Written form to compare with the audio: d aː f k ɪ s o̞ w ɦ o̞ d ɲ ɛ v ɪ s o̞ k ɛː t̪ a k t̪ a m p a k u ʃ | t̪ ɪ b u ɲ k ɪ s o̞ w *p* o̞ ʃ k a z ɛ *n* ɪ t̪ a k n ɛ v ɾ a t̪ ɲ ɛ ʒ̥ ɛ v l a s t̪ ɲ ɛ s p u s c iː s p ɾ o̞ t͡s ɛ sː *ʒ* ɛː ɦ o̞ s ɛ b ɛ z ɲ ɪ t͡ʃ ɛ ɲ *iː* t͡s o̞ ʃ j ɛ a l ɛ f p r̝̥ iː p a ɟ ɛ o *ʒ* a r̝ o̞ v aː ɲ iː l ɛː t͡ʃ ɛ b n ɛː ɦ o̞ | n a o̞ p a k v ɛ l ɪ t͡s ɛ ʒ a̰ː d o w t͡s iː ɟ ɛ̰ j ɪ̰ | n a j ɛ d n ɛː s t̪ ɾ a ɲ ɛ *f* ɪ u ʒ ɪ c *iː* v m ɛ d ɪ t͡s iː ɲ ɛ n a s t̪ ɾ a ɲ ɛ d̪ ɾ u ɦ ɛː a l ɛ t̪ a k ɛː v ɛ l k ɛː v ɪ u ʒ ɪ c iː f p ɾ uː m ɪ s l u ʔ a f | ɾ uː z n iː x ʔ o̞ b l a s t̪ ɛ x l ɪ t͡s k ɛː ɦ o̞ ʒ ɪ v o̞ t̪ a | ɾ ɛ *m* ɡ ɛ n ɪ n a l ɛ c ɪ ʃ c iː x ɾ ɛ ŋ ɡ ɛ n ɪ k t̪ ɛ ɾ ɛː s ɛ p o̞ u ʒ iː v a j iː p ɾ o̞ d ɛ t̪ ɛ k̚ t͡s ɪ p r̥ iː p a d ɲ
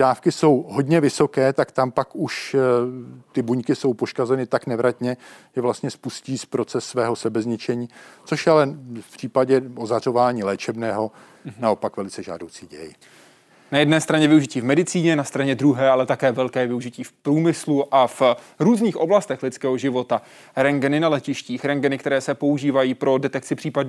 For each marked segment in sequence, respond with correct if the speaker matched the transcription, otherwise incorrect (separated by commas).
correct, correct, incorrect, correct, incorrect, incorrect, correct, incorrect